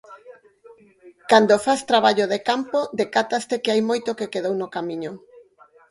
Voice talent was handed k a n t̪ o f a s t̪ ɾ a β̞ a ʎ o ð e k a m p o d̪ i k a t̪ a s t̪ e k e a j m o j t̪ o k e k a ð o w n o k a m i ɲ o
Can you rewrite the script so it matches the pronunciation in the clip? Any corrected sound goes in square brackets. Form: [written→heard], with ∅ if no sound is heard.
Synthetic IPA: k a n [t̪→d̪] o f a s t̪ ɾ a β̞ a ʎ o ð e k a m p o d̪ [i→e] k a t̪ a s t̪ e k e a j m o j t̪ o k e k [a→e] ð o w n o k a m i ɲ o